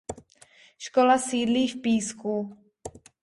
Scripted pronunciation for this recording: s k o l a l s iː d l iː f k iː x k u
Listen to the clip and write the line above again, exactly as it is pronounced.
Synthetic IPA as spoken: ʃ k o l a s iː d l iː f p iː s k u